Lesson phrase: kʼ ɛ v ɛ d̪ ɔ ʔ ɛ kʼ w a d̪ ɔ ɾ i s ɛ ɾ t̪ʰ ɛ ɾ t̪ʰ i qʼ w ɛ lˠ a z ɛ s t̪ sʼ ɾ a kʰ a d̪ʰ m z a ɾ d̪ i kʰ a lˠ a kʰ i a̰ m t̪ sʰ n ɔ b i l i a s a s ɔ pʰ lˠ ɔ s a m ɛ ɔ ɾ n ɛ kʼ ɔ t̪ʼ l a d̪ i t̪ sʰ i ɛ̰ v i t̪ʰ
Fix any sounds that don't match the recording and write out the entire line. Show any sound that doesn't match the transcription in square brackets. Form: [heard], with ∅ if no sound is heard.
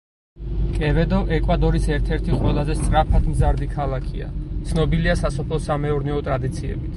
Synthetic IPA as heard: kʼ ɛ v ɛ d̪ ɔ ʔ ɛ kʼ w a d̪ ɔ ɾ i s ɛ ɾ t̪ʰ ɛ ɾ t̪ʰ i qʼ w ɛ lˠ a z ɛ s t̪ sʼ ɾ a [pʰ] a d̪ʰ m z a ɾ d̪ i kʰ a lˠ a kʰ i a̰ [∅] t̪ sʰ n ɔ b i l i a s a s ɔ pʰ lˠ ɔ s a m ɛ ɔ ɾ n ɛ [∅] ɔ t̪ʼ [ɾ] a d̪ i t̪ sʰ i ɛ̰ [b] i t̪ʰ

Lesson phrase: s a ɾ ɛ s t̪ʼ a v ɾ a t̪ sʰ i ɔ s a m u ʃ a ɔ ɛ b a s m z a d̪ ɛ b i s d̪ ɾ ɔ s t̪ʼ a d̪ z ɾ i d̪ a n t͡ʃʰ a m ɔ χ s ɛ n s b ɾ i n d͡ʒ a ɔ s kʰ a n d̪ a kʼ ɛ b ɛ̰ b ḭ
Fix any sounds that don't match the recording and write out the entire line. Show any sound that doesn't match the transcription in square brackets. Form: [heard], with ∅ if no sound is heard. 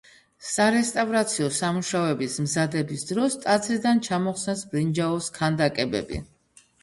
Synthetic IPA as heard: s a ɾ ɛ s t̪ʼ a v ɾ a t̪ sʰ i ɔ s a m u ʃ a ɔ ɛ b [i] s m z a d̪ ɛ b i s d̪ ɾ ɔ s t̪ʼ a d̪ z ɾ i d̪ a n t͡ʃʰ a m ɔ χ s ɛ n s b ɾ i n d͡ʒ a ɔ s kʰ a n d̪ a kʼ ɛ b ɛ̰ b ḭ

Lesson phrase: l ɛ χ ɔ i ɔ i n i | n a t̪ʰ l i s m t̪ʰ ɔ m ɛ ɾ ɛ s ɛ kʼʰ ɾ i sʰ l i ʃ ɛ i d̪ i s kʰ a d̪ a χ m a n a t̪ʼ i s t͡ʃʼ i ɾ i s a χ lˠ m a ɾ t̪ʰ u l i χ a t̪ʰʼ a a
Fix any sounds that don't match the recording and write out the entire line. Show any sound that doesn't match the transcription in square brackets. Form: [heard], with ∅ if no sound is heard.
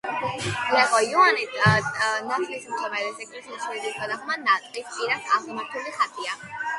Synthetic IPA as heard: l ɛ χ ɔ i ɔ [a] n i | n a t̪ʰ l i s m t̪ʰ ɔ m ɛ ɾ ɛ s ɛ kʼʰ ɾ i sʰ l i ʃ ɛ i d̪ i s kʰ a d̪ a χ m a n a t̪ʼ i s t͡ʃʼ i ɾ [a] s a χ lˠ m a ɾ t̪ʰ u l i χ a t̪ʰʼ [i] a

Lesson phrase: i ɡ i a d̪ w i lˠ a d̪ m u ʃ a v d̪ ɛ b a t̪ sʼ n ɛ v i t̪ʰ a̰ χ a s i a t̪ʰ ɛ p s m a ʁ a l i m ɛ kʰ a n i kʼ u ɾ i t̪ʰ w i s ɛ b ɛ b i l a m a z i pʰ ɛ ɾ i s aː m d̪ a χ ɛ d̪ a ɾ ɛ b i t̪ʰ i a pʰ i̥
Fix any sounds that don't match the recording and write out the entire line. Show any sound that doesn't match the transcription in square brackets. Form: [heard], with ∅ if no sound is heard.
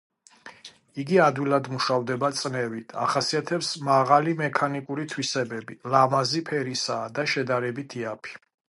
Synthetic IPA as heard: i ɡ i a d̪ w i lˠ a d̪ m u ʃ a v d̪ ɛ b a t̪ sʼ n ɛ v i t̪ʰ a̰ χ a s i a t̪ʰ ɛ p s m a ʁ a l i m ɛ kʰ a n i kʼ u ɾ i t̪ʰ w i s ɛ b ɛ b i l a m a z i pʰ ɛ ɾ i s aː [∅] d̪ a [ʃ] ɛ d̪ a ɾ ɛ b i t̪ʰ i a pʰ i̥

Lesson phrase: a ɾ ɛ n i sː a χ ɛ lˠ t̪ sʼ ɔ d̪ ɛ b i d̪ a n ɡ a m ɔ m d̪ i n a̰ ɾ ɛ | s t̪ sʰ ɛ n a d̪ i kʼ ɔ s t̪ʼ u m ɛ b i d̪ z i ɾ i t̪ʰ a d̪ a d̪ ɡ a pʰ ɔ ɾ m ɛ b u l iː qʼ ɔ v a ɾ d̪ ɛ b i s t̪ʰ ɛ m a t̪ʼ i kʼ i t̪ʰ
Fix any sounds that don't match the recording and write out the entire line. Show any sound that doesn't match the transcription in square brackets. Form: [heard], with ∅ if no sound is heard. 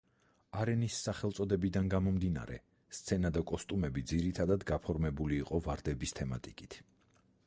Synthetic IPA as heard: a ɾ ɛ n i sː a χ ɛ lˠ t̪ sʼ ɔ d̪ ɛ b i d̪ a n ɡ a m ɔ m d̪ i n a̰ ɾ ɛ | s t̪ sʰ ɛ n a d̪ [a] kʼ ɔ s t̪ʼ u m ɛ b i d̪ z i ɾ i t̪ʰ a d̪ a d̪ ɡ a pʰ ɔ ɾ m ɛ b u l iː qʼ ɔ v a ɾ d̪ ɛ b i s t̪ʰ ɛ m a t̪ʼ i kʼ i t̪ʰ

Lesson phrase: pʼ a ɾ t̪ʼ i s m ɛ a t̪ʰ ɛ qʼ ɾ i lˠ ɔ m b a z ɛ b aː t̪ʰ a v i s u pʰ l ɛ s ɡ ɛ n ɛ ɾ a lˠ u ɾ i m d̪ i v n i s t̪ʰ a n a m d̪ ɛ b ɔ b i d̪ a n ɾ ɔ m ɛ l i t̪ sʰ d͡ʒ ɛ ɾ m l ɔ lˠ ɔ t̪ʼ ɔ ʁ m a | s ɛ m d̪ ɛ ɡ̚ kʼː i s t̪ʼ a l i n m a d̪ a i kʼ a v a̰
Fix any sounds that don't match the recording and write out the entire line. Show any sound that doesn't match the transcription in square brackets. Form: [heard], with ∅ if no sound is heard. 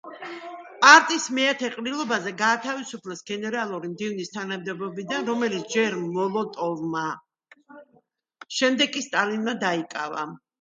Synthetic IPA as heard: pʼ a ɾ t̪ʼ i s m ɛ a t̪ʰ ɛ qʼ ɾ i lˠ ɔ [∅] b a z ɛ [ɡ] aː t̪ʰ a v i s u pʰ l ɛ s ɡ ɛ n ɛ ɾ a lˠ u ɾ i m d̪ i v n i s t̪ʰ a n a m d̪ ɛ b ɔ b i d̪ a n ɾ ɔ m ɛ l i t̪ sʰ d͡ʒ ɛ ɾ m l ɔ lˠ ɔ t̪ʼ ɔ [v] m a | [ʃ] ɛ m d̪ ɛ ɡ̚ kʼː i s t̪ʼ a l i n m a d̪ a i kʼ a v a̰

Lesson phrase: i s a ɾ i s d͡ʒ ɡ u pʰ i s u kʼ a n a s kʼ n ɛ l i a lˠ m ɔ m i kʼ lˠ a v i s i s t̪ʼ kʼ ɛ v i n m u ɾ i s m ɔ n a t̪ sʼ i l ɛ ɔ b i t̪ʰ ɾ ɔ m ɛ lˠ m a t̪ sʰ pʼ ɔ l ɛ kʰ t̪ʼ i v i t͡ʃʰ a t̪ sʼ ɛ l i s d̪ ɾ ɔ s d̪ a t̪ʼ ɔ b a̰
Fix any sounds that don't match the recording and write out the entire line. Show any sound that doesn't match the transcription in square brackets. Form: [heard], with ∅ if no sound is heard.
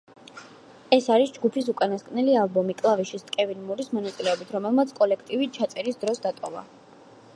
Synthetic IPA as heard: [ɛ] s a ɾ i s d͡ʒ ɡ u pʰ i s u kʼ a n a s kʼ n ɛ l i a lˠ [b] ɔ m i kʼ lˠ a v i [ʃ] i s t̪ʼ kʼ ɛ v i n m u ɾ i s m ɔ n a t̪ sʼ i l ɛ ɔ b i t̪ʰ ɾ ɔ m ɛ lˠ m a t̪ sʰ [kʼ] ɔ l ɛ kʰ t̪ʼ i v i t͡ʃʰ a t̪ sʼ ɛ [ɾ] i s d̪ ɾ ɔ s d̪ a t̪ʼ ɔ [v] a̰

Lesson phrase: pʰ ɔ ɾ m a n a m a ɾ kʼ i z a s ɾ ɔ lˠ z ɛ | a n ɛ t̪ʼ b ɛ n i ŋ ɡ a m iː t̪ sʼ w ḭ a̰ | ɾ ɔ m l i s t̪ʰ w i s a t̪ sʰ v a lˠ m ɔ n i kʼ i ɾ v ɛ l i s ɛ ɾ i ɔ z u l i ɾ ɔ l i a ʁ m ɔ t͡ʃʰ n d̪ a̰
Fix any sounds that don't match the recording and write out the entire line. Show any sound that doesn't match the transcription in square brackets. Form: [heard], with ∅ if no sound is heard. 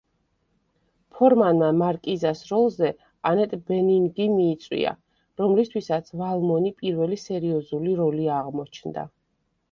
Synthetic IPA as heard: pʰ ɔ ɾ m a n a m a ɾ kʼ i z a s ɾ ɔ lˠ z ɛ | a n ɛ t̪ʼ b ɛ n i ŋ ɡ [i] m iː t̪ sʼ w ḭ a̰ | ɾ ɔ m l i s t̪ʰ w i s a t̪ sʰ v a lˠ m ɔ n i [pʼ] i ɾ v ɛ l i s ɛ ɾ i ɔ z u l i ɾ ɔ l i a ʁ m ɔ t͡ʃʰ n d̪ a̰

